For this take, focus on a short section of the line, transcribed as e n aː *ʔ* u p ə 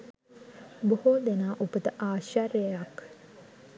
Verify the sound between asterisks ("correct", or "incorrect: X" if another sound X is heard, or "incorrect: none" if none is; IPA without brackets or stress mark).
correct